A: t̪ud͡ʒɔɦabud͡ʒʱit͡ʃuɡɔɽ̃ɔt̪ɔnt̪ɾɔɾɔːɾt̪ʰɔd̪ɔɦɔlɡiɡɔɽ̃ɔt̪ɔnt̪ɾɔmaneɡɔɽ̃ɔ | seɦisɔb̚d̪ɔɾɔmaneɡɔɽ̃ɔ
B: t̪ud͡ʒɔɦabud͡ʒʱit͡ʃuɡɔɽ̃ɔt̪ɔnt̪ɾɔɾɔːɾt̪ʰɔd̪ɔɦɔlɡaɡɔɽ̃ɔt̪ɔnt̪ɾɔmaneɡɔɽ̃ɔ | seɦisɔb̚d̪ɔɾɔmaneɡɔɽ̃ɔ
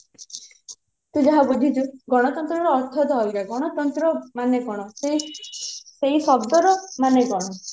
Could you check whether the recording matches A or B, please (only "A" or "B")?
B